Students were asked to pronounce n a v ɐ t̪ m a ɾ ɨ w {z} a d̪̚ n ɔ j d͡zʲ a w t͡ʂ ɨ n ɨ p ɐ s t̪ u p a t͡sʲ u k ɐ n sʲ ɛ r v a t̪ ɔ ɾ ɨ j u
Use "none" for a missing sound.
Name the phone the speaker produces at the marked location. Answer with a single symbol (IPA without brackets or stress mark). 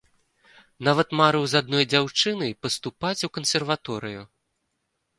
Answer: z